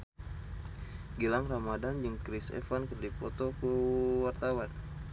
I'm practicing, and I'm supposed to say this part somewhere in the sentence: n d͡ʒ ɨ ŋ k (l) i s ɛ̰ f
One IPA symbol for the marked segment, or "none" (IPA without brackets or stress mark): ɾ